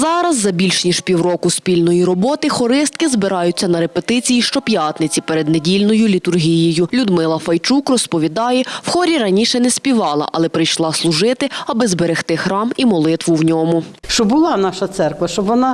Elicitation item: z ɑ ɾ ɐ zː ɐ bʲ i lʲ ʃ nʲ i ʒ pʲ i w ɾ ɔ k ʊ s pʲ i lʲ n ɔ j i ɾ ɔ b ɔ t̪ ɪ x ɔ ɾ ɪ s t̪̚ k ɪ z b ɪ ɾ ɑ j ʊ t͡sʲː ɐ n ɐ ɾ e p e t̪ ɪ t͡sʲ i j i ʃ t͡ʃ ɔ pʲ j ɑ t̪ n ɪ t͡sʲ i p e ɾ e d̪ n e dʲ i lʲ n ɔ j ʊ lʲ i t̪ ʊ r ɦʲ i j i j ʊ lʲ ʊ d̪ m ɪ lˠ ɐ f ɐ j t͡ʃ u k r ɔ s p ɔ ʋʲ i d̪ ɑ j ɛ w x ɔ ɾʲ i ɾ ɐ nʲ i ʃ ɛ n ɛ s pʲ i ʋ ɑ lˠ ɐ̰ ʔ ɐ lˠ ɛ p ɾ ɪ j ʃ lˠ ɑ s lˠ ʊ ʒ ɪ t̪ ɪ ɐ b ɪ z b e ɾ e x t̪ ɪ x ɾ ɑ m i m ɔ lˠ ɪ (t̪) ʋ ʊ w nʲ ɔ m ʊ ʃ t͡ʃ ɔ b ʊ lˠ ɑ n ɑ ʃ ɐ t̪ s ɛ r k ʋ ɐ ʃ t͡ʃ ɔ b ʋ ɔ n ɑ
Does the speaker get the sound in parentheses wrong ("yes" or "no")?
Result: no